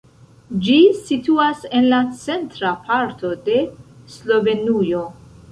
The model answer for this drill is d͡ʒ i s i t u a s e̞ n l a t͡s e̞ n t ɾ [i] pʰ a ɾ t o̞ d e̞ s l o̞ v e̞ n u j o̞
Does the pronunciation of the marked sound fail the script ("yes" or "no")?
yes